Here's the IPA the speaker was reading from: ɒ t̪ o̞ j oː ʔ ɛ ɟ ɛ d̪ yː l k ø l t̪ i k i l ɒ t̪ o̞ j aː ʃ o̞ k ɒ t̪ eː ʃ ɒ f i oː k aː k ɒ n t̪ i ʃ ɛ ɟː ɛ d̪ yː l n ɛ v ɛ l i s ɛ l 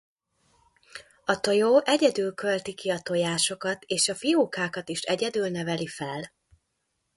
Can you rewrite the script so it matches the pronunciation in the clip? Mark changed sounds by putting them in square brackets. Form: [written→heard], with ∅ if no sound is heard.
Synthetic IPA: ɒ t̪ o̞ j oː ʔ ɛ ɟ ɛ d̪ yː l k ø l t̪ i k i [l→∅] ɒ t̪ o̞ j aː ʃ o̞ k ɒ t̪ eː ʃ ɒ f i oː k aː k ɒ [n→∅] t̪ i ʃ ɛ [ɟː→ɟ] ɛ d̪ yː l n ɛ v ɛ l i [s→f] ɛ l